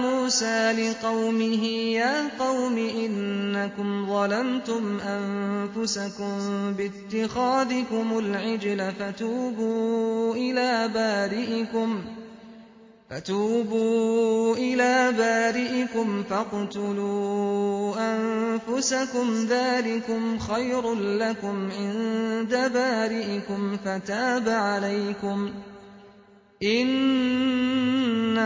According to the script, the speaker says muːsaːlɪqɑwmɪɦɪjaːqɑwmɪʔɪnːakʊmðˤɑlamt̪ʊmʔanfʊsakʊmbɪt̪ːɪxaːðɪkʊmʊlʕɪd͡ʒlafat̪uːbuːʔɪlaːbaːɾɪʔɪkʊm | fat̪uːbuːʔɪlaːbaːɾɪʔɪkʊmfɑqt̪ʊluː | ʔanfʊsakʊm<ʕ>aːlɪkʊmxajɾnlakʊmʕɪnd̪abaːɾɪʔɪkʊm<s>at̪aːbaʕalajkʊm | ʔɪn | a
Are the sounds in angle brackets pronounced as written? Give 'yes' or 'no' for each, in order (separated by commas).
no, no